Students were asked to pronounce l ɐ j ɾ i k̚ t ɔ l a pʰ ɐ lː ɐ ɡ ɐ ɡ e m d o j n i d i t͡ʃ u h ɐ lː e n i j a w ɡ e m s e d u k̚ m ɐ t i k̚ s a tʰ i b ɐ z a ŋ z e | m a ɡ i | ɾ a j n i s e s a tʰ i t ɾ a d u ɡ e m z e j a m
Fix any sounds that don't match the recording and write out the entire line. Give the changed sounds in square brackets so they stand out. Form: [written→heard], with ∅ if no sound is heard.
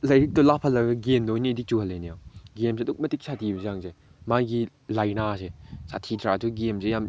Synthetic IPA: l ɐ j ɾ i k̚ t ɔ l a pʰ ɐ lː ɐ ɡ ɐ ɡ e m d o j n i d i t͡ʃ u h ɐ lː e n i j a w ɡ e m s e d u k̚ m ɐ t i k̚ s a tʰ i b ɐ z a ŋ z e | m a ɡ i | [ɾ→l] a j n [i→a] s e s a tʰ i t ɾ a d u ɡ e m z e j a m